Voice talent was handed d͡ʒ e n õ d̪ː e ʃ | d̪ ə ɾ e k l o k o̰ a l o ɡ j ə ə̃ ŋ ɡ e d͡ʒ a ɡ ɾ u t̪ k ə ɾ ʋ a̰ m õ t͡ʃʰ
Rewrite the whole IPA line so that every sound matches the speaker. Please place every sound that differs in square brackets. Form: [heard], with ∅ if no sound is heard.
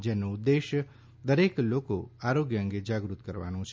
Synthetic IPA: d͡ʒ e n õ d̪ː e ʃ | d̪ ə ɾ e k l o k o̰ a [ɾ] o ɡ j ə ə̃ ŋ ɡ e d͡ʒ a ɡ ɾ u t̪ k ə ɾ ʋ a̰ [n] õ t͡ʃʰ